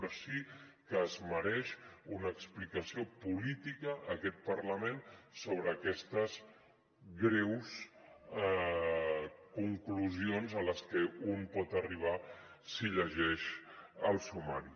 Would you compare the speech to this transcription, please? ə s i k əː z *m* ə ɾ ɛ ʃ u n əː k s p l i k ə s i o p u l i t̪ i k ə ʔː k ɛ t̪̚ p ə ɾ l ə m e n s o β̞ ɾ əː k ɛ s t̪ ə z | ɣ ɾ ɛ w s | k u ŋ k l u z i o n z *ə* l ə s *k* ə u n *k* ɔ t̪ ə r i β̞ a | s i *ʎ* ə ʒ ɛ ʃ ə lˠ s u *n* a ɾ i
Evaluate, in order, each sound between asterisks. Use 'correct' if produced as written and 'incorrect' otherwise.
correct, correct, correct, incorrect: p, correct, incorrect: m

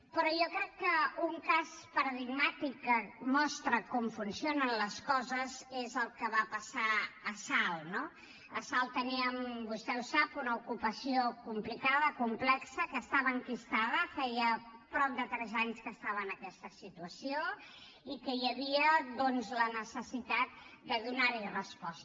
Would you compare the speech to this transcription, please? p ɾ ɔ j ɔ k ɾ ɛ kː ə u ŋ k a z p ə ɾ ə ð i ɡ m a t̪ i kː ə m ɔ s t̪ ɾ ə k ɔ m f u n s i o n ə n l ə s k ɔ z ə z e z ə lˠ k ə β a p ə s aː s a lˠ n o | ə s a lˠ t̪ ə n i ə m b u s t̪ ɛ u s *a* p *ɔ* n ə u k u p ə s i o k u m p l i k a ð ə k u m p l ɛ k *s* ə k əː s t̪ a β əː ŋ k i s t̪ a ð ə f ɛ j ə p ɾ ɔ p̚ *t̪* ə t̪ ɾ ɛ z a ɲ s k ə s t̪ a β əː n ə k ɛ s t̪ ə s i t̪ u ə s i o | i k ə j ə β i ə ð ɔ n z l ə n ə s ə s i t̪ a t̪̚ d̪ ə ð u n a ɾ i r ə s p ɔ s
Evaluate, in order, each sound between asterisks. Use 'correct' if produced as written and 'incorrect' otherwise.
correct, incorrect: u, correct, incorrect: d̪

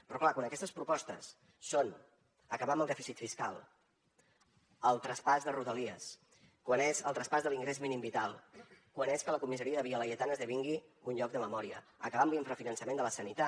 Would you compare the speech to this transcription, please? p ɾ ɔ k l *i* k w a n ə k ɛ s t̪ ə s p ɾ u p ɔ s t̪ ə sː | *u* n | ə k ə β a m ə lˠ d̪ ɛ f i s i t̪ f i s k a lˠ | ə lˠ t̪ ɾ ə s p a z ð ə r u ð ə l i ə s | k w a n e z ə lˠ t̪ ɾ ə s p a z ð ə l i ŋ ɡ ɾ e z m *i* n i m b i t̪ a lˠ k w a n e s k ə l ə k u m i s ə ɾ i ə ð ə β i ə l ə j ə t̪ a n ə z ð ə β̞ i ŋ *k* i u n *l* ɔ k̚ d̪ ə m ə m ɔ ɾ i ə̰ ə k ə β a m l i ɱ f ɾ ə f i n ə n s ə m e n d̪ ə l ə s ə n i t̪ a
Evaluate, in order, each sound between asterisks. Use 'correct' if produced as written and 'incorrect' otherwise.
incorrect: a, incorrect: o, correct, incorrect: ɡ, incorrect: ʎ

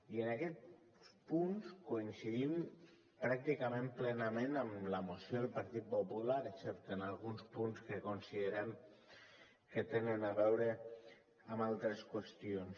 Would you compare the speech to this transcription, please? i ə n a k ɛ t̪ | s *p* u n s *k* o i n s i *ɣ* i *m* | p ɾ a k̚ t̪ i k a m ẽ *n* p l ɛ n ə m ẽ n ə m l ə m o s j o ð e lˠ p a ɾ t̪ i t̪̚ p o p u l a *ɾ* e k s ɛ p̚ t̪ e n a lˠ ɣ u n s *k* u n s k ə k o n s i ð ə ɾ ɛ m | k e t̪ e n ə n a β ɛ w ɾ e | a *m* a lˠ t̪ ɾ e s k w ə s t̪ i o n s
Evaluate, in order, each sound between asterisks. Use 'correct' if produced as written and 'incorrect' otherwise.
correct, correct, incorrect: ð, correct, incorrect: m, correct, incorrect: p, correct

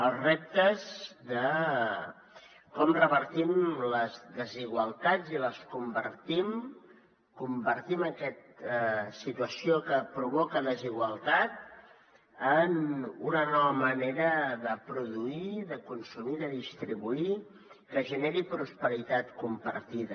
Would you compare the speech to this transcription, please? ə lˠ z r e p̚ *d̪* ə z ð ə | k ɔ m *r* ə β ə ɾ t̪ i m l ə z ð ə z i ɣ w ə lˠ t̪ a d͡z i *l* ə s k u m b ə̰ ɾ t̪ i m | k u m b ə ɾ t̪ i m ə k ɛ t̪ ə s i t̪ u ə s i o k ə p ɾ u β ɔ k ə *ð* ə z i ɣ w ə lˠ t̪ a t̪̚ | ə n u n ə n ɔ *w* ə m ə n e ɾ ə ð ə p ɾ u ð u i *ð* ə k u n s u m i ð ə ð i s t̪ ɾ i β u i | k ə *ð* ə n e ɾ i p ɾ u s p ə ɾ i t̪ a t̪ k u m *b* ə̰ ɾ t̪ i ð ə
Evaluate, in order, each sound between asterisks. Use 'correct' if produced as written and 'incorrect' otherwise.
incorrect: t̪, correct, correct, correct, incorrect: β, correct, incorrect: ʒ, incorrect: p

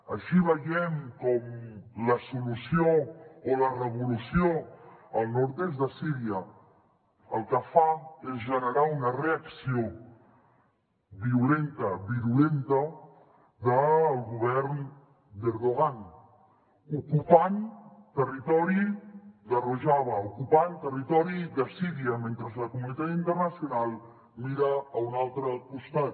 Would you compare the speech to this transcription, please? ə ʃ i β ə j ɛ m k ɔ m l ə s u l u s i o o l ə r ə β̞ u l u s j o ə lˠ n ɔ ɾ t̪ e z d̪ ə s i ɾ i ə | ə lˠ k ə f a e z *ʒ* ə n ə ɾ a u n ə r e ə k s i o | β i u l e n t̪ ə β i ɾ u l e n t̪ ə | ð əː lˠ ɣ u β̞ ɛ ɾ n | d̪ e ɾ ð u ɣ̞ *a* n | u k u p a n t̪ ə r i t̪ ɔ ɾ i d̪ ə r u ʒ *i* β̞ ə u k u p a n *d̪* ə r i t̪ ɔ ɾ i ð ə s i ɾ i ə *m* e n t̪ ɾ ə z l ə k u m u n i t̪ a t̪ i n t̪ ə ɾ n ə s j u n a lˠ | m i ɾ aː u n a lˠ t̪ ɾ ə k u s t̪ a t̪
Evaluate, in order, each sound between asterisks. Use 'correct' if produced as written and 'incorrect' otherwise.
correct, correct, incorrect: a, incorrect: t̪, correct

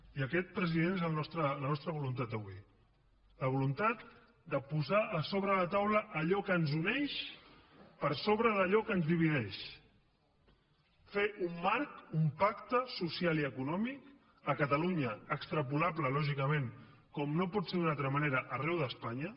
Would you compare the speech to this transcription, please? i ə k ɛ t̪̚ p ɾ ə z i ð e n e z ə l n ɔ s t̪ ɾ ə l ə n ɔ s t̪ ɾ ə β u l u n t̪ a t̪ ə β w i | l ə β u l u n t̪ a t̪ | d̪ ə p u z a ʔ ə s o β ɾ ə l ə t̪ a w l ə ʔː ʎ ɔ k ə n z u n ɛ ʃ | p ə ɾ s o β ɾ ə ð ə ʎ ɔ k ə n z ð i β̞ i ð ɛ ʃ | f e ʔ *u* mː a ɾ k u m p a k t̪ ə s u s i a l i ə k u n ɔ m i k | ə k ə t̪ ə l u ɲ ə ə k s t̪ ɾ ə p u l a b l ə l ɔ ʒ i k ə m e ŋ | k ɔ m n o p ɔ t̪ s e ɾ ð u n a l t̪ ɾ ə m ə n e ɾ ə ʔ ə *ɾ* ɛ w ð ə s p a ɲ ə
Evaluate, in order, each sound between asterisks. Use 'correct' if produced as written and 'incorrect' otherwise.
correct, incorrect: r

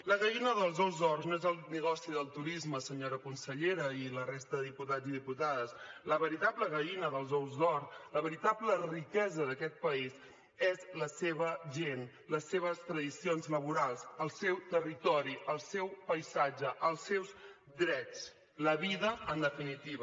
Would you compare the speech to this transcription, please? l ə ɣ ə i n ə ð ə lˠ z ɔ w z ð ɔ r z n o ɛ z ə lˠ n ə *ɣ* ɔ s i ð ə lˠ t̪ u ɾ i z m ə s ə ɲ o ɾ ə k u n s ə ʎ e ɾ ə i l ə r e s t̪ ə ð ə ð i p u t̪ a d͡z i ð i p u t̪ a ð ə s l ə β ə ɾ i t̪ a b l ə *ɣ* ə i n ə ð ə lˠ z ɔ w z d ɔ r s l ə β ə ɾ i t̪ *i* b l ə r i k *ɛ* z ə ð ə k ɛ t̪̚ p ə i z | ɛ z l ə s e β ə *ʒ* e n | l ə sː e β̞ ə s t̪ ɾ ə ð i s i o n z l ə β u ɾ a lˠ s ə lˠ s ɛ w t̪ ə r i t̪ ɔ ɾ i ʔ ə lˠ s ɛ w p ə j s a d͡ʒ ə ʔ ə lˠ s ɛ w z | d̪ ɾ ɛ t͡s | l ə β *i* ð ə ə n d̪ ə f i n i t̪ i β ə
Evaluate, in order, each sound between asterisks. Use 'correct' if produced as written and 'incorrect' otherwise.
correct, correct, incorrect: a, correct, correct, correct

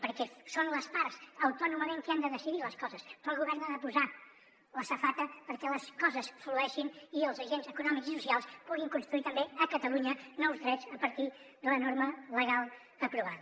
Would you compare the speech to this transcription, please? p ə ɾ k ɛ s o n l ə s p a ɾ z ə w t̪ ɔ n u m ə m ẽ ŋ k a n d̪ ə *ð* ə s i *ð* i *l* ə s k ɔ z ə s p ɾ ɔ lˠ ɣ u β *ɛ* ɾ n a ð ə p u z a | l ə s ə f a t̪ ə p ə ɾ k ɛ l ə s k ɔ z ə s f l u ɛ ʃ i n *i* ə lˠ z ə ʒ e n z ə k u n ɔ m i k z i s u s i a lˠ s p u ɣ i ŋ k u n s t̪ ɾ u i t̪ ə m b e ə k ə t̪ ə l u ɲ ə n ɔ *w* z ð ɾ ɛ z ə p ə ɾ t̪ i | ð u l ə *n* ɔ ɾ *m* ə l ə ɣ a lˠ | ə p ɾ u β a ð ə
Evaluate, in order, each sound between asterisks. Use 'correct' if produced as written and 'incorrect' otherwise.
correct, correct, correct, correct, correct, correct, correct, correct

